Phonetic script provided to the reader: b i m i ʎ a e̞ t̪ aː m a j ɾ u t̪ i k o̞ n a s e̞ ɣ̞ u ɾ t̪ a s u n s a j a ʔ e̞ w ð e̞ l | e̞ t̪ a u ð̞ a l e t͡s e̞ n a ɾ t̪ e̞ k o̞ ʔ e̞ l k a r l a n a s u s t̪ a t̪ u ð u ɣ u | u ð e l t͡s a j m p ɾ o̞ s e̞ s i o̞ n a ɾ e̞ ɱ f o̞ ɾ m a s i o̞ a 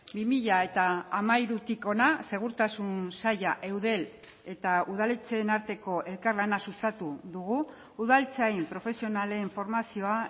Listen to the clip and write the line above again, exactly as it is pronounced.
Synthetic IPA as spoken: b i m i ʎ a e̞ t̪ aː m a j ɾ u t̪ i k o̞ n a s e̞ ɣ̞ u ɾ t̪ a s u n s a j a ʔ e̞ w ð e̞ l | e̞ t̪ a u ð̞ a l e t͡s e̞ n a ɾ t̪ e̞ k o̞ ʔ e̞ l k a r l a n a s u s t̪ a t̪ u ð u ɣ u | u ð a l t͡s a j m p ɾ o̞ f e̞ s i o̞ n a l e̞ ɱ f o̞ ɾ m a s i o̞ a